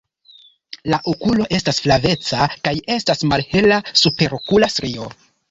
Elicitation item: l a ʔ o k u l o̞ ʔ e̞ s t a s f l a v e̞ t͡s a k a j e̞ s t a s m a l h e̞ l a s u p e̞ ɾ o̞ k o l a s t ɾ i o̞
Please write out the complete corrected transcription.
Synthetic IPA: l a ʔ o k u l o̞ ʔ e̞ s t a s f l a v e̞ t͡s a k a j e̞ s t a s m a l h e̞ l a s u p e̞ ɾ o̞ k u l a s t ɾ i o̞